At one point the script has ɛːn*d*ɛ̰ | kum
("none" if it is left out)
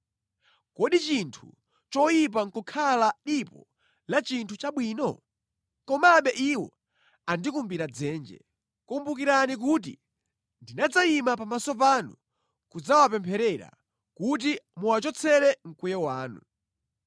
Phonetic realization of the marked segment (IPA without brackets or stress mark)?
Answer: d͡ʒ